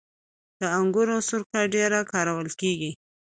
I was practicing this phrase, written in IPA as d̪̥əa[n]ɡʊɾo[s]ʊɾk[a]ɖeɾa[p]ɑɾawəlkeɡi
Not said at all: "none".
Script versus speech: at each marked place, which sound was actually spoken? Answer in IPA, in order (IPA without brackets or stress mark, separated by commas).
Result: ŋ, s, a, k